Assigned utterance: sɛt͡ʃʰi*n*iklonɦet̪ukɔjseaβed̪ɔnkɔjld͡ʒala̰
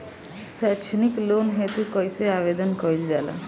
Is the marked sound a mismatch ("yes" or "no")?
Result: no